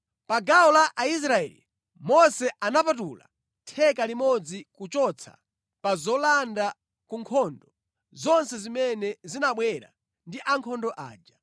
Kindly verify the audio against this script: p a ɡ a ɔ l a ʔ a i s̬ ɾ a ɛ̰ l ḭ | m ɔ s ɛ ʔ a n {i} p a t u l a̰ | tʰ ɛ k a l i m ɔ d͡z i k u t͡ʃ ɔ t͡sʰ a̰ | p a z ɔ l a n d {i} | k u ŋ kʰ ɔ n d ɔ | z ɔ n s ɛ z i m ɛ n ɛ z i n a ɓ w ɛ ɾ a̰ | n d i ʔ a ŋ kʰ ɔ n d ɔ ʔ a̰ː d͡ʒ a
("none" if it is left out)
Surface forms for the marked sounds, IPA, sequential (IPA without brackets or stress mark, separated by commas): a, a